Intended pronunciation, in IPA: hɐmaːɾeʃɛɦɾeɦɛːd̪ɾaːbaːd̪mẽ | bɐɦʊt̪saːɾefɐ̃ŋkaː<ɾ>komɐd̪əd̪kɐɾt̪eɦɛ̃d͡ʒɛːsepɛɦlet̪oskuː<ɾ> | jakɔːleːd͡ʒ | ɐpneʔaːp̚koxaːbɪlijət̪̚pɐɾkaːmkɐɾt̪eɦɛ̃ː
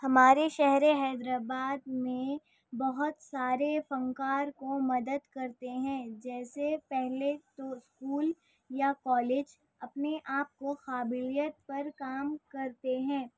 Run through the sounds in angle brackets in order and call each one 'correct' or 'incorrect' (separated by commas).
correct, incorrect